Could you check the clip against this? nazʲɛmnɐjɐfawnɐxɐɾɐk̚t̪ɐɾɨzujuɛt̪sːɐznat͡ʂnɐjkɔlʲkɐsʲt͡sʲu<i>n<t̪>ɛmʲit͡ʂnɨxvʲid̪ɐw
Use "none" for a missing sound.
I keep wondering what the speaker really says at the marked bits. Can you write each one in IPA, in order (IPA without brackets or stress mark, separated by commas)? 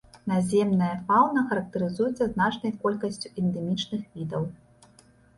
ɛ, d̪